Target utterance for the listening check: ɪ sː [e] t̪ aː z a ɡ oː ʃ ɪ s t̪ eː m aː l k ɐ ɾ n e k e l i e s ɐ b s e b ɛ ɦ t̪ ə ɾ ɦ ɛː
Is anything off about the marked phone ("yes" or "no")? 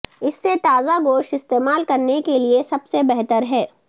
no